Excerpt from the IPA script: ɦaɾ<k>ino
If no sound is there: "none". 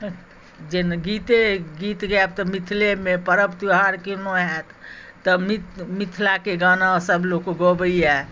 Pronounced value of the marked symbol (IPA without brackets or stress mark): k